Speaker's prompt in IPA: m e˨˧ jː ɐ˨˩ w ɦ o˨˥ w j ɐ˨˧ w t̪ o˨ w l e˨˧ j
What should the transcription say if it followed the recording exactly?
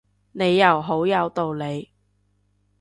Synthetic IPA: n e˨˧ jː ɐ˨˩ w ɦ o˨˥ w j ɐ˨˧ w t̪ o˨ w l e˨˧ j